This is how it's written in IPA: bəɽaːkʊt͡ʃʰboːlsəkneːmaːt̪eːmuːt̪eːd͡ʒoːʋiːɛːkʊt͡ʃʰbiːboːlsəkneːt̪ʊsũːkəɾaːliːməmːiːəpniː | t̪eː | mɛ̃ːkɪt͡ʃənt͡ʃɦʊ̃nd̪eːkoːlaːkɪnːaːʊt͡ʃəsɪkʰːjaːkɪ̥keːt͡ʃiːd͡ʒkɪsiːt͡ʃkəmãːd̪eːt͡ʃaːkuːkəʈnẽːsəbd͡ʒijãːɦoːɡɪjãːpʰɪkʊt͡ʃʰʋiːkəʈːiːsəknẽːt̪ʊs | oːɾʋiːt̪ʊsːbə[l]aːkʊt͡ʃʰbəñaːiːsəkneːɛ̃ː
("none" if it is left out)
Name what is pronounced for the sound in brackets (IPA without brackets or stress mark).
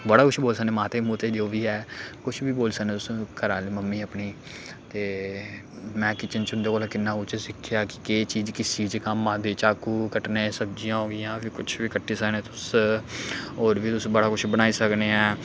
ɽ